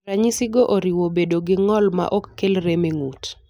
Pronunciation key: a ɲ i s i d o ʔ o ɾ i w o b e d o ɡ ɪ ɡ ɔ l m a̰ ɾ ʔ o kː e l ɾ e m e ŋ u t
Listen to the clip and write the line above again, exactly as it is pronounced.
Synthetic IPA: a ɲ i s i ɡ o ʔ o ɾ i w o b e d o ɡ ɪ ŋ ɔ l m a̰ ʔ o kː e l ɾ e m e ŋ u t

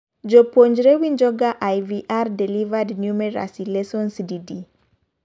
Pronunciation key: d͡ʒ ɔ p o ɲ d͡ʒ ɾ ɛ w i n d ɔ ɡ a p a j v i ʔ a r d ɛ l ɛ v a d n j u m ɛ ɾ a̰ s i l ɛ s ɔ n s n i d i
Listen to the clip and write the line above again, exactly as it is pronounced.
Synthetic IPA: d͡ʒ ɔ p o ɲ d͡ʒ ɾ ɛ w i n d͡ʒ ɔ ɡ a ʔ a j v i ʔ a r d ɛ l i v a d n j u m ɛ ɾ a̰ s i l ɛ s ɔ n s d i d i

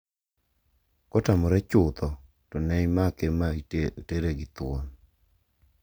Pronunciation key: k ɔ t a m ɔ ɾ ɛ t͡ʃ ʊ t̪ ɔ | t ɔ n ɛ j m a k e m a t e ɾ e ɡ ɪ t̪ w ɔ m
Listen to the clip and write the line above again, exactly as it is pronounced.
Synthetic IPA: k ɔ t a m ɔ ɾ ɛ t͡ʃ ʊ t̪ ɔ | t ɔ n ɛ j m a k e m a t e ɾ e ɡ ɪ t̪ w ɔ n

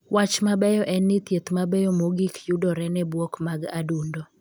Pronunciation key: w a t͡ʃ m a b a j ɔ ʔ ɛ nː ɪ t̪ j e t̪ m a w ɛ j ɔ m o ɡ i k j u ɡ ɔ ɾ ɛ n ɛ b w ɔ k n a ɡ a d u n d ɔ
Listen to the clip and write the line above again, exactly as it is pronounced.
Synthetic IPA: w a t͡ʃ m a b ɛ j ɔ ʔ ɛ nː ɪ t̪ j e t̪ m a b ɛ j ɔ m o ɡ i k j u d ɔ ɾ ɛ n ɛ b w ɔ k m a ɡ a d u n d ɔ

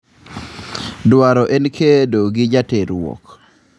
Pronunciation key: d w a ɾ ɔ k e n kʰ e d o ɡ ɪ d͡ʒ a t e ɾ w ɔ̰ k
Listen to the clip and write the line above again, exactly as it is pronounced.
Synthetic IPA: d w a ɾ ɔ ʔ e n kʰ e d o ɡ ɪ d͡ʒ a t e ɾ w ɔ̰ k

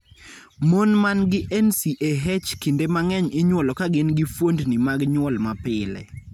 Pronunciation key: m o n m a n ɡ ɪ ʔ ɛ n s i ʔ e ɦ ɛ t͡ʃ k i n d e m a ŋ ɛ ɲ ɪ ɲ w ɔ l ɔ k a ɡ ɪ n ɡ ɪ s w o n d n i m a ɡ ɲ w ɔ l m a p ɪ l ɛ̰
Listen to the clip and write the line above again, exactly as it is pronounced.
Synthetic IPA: m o n m a n ɡ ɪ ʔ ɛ n s i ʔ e ɦ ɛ t͡ʃ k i n d e m a ŋ ɛ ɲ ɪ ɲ w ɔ l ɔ k a ɡ ɪ n ɡ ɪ f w o n d n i m a ɡ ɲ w ɔ l m a p ɪ l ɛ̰

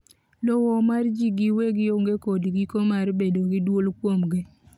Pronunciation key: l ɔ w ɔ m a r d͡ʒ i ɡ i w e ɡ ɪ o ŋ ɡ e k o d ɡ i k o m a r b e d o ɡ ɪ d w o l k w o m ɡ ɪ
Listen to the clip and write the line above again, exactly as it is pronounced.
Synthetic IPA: l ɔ w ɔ m a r d͡ʒ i ɡ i w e ɡ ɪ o ŋ ɡ e k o d ɡ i k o m a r b e d o ɡ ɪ d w o l k w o m ɡ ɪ

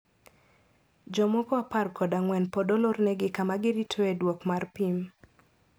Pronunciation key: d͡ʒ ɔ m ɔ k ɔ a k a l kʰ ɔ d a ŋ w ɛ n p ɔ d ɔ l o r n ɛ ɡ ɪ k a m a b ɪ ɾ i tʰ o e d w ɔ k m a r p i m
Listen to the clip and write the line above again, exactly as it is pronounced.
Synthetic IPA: d͡ʒ ɔ m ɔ k ɔ a p a r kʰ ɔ d a ŋ w ɛ n p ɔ d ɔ l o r n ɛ ɡ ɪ k a m a ɡ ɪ ɾ i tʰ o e d w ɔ k m a r p i m

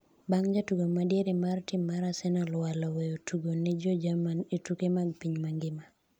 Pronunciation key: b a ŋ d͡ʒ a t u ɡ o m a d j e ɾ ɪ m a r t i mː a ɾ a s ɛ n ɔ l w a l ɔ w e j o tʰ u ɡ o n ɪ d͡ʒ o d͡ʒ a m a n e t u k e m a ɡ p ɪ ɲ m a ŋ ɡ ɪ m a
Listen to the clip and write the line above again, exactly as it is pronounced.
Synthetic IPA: b a ŋ d͡ʒ a t u ɡ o m a d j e ɾ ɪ m a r t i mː a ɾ a s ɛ n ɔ l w a l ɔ w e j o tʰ u ɡ o n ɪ d͡ʒ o d͡ʒ a m a n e t u k e m a ɡ p i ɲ m a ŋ ɡ ɪ m a

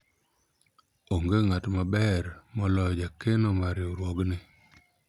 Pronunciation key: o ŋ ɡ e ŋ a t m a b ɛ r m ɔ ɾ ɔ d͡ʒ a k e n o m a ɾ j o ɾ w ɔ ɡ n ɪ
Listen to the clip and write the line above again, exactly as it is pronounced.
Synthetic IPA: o ŋ ɡ e ŋ a t m a b ɛ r m ɔ l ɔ d͡ʒ a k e n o m a ɾ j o ɾ w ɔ ɡ n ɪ

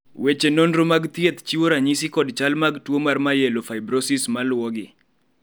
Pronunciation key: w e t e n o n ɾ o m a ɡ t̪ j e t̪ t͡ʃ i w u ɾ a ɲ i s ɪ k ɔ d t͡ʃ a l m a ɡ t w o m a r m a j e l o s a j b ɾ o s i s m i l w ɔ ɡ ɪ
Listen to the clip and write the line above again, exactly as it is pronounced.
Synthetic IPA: w e t͡ʃ e n o n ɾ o m a ɡ t̪ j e t̪ t͡ʃ i w o ɾ a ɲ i s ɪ k ɔ d t͡ʃ a l m a ɡ t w o m a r m a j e l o f a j b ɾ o s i s m a l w ɔ ɡ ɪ

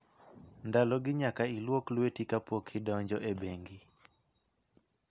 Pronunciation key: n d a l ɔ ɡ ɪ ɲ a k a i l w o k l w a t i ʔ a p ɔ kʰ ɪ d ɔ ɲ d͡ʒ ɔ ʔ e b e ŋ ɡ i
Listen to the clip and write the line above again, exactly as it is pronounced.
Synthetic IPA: n d a l ɔ ɡ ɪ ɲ a k a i l w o k l w e t i k a p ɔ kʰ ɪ d ɔ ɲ d͡ʒ ɔ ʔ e b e ŋ ɡ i

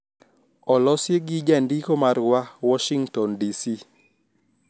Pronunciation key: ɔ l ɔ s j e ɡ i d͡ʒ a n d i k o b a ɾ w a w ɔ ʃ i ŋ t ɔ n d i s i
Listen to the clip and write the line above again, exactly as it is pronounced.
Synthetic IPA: ɔ l ɔ s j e ɡ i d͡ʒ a n d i k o m a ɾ w a w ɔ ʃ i ŋ t ɔ n d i s i

